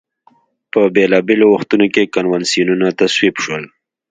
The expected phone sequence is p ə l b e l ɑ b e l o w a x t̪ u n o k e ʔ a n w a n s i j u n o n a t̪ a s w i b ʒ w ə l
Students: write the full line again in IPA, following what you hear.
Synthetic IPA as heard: p ə b e l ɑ b e l o w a x t̪ u n o k e k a n w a n s i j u n u n a t̪ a s w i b ʃ w ə l